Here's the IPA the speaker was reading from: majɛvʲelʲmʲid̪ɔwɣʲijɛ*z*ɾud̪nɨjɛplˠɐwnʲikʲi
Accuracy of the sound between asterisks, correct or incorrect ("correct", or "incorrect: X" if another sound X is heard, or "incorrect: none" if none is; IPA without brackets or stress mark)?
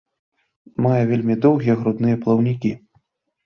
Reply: incorrect: ɣ